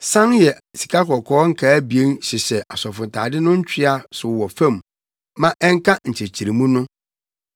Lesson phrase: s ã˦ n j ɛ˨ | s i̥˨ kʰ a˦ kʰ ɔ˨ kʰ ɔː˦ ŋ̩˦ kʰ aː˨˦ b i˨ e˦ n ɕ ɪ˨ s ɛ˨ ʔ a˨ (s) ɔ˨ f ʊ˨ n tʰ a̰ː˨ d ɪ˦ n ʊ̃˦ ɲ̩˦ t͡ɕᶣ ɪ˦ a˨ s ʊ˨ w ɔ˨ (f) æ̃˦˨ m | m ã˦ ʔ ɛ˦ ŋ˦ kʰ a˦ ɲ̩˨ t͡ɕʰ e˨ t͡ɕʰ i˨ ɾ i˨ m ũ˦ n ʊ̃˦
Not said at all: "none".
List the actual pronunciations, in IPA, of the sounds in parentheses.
s, f

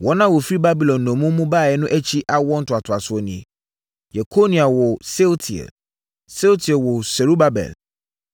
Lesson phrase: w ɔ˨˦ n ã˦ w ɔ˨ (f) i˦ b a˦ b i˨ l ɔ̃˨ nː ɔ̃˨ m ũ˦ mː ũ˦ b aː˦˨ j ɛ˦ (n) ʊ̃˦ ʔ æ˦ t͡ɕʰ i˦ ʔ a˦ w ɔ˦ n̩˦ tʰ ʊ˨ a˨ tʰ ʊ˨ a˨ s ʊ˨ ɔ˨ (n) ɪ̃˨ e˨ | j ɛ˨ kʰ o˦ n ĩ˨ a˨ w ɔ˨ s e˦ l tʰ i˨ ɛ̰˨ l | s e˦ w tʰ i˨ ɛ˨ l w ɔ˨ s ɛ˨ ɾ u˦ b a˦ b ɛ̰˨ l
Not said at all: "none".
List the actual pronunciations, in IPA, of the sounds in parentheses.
f, n, n

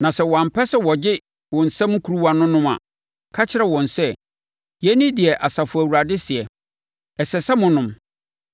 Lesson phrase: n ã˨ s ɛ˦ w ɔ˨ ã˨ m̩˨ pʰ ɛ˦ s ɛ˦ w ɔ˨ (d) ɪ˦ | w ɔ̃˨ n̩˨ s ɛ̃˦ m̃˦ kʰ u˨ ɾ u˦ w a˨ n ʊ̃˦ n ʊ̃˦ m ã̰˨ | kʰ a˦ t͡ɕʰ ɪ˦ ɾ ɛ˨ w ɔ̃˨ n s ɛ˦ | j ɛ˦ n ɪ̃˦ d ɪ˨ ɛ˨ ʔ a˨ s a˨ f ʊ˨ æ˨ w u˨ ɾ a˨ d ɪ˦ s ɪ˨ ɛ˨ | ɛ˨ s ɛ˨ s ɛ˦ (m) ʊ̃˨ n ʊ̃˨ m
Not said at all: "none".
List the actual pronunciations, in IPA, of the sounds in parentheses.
d͡ʑ, m

